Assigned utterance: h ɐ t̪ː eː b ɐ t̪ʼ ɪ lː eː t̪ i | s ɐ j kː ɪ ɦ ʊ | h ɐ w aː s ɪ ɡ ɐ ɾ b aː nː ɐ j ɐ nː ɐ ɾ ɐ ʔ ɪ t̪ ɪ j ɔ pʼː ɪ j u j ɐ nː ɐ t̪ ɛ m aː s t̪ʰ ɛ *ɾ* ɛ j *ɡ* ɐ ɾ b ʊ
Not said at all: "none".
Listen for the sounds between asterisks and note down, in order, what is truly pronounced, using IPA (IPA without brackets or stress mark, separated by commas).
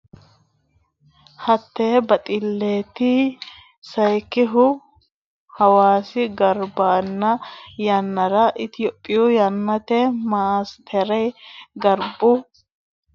ɾ, ɡ